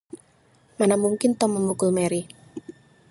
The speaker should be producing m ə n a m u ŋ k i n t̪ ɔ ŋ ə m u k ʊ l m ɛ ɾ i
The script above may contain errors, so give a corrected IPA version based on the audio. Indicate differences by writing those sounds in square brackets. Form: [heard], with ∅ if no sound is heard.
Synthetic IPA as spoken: m [a] n a m u ŋ k [ɪ] n t̪ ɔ [m] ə m u k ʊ l m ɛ ɾ i